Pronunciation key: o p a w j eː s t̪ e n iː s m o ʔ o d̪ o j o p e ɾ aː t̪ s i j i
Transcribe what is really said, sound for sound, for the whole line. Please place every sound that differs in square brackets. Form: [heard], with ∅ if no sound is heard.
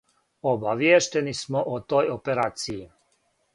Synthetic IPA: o [b] a [ʋ] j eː [ʃ] t̪ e n [i] s m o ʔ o [t̪] o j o p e ɾ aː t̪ s i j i